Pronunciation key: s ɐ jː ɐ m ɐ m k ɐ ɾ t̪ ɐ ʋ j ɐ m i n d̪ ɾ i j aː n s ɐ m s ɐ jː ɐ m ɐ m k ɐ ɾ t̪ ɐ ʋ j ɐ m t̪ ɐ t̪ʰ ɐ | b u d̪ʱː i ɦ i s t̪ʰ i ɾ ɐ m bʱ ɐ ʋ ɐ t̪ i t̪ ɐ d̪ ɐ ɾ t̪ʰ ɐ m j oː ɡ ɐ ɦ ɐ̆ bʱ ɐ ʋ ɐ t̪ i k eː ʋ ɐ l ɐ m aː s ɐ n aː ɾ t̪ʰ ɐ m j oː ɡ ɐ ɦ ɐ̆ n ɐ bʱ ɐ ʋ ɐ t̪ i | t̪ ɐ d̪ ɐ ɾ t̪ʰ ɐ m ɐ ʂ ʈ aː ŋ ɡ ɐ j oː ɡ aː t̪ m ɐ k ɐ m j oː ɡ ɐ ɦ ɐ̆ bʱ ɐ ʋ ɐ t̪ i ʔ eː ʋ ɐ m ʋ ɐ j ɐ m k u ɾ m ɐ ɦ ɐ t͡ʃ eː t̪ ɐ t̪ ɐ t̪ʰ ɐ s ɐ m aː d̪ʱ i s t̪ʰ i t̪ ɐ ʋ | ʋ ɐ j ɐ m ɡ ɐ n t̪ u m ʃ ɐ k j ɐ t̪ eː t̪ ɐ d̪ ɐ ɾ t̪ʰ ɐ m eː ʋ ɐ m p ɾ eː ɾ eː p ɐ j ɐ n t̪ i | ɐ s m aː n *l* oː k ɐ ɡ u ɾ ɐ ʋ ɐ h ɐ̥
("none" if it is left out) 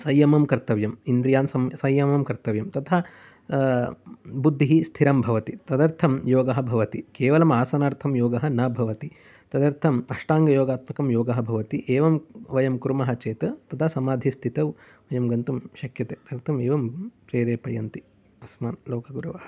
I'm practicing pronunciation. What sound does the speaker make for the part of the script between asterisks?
l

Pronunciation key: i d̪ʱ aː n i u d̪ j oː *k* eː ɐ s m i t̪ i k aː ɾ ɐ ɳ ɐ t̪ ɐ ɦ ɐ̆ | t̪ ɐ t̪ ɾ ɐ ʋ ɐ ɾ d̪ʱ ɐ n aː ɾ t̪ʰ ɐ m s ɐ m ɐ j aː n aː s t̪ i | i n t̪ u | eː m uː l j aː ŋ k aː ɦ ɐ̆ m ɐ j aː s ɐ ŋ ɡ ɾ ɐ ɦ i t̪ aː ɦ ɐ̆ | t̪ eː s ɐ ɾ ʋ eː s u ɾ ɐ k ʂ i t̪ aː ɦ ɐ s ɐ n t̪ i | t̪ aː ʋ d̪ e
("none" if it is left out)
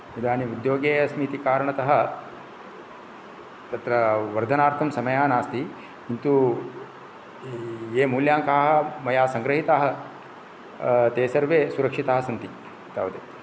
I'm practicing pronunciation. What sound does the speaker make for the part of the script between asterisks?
ɡ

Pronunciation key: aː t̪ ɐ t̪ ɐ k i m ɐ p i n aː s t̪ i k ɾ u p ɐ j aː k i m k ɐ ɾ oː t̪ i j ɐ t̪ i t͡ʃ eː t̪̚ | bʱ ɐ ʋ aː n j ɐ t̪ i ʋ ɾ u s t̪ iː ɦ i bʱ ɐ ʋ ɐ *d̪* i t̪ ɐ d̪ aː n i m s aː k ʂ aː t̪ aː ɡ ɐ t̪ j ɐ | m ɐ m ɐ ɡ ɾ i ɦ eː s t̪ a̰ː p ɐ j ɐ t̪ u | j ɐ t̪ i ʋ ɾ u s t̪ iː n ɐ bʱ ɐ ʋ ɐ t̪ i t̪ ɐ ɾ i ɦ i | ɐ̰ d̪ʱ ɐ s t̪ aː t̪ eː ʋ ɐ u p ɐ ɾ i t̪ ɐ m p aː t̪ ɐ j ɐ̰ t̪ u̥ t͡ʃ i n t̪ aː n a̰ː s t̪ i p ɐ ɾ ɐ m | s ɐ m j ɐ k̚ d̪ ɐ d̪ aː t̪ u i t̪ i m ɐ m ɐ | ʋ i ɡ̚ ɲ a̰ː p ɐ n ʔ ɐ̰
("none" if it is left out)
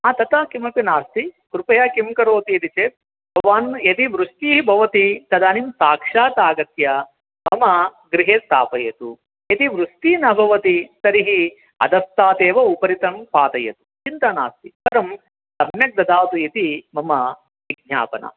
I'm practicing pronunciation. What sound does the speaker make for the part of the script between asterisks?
t̪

